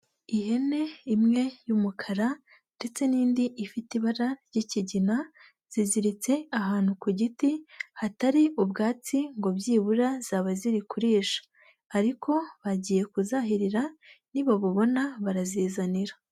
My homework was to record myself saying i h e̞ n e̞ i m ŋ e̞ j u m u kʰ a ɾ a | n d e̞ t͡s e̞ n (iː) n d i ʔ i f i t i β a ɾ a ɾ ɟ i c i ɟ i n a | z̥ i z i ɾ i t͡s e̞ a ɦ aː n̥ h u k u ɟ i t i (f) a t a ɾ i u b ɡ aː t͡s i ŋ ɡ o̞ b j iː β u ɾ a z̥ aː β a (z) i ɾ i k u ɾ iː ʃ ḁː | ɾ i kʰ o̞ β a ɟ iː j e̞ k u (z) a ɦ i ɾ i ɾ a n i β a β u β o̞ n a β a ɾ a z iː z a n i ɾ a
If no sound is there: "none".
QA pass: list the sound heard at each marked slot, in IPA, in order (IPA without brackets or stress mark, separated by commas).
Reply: iː, h, z, z